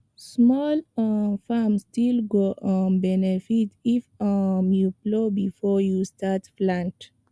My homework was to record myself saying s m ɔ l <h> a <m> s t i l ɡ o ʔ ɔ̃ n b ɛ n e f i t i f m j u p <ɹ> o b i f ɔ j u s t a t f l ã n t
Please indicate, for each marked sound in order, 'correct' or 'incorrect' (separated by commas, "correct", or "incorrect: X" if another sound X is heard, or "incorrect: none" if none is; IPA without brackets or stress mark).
incorrect: f, correct, incorrect: l